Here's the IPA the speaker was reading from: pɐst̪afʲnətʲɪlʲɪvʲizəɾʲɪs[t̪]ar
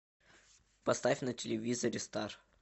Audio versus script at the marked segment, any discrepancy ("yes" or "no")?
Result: no